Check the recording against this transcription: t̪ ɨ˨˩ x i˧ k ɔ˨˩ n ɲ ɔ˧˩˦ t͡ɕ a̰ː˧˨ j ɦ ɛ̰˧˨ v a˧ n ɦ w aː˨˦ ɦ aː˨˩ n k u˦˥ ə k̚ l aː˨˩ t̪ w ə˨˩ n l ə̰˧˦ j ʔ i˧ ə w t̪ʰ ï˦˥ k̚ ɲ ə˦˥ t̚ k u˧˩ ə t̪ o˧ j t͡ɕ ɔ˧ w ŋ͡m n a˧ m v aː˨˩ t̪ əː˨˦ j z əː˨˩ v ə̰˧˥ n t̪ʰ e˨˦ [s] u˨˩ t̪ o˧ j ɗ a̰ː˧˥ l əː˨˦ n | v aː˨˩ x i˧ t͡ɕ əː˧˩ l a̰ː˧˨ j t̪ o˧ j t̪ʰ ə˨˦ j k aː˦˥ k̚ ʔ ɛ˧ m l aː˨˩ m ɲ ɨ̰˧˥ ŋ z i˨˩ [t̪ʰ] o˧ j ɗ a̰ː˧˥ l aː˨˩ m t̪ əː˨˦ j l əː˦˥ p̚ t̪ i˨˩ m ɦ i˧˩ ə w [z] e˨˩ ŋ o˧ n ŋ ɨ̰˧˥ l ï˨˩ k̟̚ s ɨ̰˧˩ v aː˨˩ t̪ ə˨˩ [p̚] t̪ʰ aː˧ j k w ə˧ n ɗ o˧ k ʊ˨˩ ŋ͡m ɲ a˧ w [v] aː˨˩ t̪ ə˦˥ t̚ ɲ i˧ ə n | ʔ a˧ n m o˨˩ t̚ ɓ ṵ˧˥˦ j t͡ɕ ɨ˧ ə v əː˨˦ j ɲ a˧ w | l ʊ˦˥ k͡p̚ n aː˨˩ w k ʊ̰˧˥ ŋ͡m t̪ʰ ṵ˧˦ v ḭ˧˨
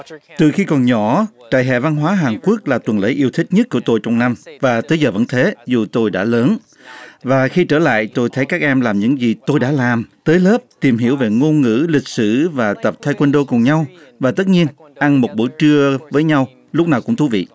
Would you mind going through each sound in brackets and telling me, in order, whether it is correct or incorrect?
incorrect: z, incorrect: t̪, incorrect: v, correct, correct

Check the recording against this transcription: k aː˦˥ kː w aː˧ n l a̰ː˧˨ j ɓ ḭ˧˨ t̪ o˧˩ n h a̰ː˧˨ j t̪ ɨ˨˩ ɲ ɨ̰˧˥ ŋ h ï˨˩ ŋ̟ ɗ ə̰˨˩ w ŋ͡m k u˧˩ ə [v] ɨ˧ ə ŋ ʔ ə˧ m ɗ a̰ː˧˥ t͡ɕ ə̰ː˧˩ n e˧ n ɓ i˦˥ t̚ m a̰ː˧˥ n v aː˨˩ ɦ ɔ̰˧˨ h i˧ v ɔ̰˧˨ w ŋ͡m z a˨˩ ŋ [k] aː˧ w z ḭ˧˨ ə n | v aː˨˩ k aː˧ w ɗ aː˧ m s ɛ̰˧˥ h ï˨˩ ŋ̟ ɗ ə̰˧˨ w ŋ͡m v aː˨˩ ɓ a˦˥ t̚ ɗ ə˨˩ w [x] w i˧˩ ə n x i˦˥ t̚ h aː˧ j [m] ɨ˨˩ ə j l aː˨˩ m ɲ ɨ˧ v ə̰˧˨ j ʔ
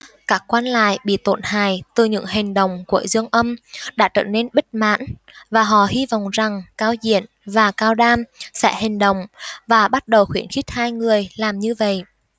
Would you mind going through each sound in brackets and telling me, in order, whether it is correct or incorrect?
incorrect: z, correct, correct, incorrect: ŋ

